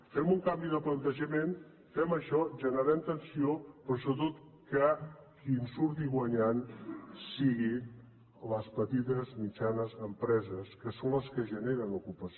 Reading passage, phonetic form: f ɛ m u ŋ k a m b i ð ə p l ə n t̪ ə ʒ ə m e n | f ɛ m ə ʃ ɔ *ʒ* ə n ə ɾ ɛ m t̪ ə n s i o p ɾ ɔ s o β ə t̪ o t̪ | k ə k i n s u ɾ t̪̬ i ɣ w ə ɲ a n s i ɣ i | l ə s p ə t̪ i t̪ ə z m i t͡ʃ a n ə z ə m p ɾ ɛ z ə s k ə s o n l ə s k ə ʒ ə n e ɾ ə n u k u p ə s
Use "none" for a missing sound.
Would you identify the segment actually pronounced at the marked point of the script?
ʒ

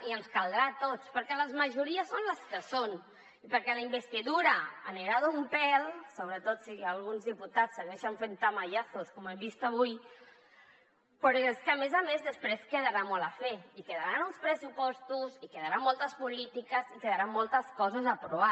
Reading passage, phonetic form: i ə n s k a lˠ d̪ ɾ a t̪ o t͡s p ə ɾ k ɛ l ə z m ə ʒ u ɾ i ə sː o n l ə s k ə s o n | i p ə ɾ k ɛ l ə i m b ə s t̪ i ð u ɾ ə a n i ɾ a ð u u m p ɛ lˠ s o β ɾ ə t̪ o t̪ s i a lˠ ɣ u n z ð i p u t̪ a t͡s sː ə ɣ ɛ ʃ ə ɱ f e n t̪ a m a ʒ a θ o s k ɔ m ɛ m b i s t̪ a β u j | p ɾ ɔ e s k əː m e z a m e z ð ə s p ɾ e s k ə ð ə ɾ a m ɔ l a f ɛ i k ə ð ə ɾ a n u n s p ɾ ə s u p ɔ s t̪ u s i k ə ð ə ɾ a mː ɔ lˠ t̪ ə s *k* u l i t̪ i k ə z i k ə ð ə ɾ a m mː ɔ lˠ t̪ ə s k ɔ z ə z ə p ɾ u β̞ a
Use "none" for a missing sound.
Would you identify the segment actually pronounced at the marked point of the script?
p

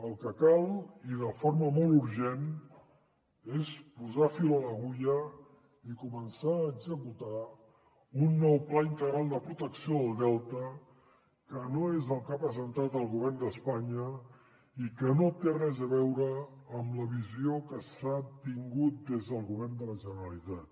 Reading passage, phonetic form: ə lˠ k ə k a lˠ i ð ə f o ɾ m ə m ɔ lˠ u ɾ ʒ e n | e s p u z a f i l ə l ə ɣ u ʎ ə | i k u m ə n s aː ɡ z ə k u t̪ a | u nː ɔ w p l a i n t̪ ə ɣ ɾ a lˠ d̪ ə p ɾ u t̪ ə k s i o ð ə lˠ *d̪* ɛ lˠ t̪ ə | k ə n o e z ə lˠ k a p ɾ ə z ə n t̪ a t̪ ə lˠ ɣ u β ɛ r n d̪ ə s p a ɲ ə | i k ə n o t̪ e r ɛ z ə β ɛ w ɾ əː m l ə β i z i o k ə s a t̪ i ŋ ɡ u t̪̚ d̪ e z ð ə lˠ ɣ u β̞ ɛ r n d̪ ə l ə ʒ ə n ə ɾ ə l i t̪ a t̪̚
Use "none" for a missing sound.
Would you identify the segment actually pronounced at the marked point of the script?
d̪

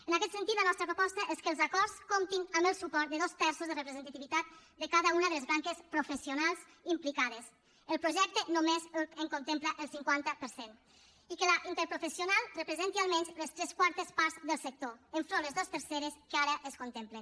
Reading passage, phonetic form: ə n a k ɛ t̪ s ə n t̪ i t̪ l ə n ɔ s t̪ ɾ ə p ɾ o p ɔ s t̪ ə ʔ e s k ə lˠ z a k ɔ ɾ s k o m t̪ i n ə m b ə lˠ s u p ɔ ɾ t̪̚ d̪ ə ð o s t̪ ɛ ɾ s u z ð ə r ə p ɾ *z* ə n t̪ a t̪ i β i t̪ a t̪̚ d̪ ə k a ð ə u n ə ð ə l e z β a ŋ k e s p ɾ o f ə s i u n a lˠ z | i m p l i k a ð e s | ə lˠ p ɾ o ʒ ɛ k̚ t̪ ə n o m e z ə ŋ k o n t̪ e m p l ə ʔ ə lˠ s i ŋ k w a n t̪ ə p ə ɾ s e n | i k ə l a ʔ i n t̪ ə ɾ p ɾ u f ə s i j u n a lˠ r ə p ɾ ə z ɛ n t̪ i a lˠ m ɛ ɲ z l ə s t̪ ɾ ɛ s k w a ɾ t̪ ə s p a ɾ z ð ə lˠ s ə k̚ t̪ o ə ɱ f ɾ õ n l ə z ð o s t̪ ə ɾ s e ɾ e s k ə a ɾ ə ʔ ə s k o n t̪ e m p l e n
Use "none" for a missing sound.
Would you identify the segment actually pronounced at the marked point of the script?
z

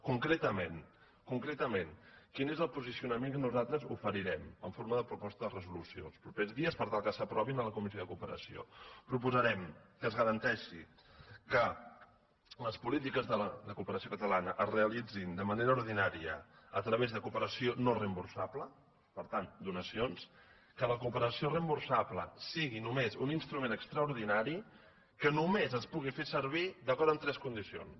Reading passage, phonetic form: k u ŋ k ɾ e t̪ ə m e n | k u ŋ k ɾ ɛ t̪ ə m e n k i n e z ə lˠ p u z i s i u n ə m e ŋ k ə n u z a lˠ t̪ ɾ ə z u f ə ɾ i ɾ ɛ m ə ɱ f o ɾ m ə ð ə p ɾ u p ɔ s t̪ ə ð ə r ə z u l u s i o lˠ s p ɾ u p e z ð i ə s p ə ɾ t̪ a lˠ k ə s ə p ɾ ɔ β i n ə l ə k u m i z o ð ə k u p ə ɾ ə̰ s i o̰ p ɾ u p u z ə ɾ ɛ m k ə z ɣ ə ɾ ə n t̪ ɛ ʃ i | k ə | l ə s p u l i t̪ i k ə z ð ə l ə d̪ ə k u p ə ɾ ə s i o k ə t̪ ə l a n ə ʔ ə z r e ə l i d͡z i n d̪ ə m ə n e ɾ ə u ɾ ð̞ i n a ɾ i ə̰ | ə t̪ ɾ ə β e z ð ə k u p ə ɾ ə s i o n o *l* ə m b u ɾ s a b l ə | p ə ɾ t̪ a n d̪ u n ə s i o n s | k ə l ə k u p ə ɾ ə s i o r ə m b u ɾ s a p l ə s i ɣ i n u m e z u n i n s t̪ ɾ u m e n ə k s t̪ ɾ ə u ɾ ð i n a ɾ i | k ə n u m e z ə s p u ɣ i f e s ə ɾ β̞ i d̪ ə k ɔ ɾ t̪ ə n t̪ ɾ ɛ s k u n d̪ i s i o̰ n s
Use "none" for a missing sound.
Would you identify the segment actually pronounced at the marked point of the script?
r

